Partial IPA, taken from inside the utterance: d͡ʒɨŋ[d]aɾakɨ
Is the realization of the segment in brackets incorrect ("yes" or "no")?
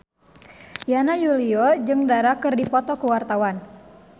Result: no